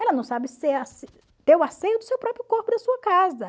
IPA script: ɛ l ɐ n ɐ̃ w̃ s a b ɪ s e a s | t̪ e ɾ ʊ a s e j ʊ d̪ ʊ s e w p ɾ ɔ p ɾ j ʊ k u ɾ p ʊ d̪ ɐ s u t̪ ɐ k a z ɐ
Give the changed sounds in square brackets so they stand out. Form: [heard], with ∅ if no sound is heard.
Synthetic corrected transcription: ɛ l ɐ n ɐ̃ w̃ s a b ɪ s e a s | t̪ e ɾ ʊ a s e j ʊ d̪ ʊ s e w p ɾ ɔ p ɾ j ʊ k [o] ɾ p ʊ d̪ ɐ s u [∅] ɐ k a z ɐ